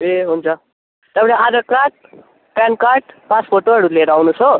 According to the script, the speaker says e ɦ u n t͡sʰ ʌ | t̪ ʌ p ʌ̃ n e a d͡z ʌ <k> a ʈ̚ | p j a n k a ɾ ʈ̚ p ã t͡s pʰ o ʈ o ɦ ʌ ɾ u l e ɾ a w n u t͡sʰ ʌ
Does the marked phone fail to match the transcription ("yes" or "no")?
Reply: no